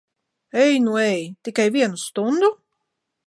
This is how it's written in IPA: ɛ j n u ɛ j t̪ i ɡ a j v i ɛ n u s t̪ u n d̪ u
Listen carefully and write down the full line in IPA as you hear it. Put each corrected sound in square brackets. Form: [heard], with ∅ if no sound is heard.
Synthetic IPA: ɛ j n u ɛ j t̪ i [k] a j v i ɛ n u s t̪ u n d̪ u